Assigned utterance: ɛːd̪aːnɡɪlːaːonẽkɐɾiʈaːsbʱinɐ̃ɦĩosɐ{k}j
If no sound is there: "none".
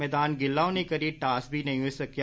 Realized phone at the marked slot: k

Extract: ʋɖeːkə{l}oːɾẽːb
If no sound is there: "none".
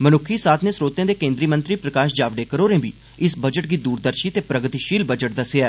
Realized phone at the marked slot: ɾ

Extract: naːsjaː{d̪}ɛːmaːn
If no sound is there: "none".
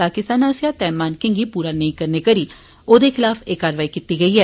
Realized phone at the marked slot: t̪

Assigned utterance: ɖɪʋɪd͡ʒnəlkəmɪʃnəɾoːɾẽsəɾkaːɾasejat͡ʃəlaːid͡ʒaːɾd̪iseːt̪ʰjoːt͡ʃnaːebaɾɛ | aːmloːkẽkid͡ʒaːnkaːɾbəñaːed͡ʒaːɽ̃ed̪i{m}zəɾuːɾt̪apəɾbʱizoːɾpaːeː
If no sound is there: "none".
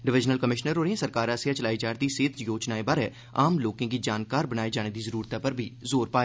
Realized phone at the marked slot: none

